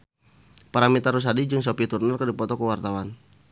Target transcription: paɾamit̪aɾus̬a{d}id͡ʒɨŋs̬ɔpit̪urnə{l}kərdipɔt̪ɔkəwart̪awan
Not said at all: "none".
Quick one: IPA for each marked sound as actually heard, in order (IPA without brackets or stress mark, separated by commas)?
d, r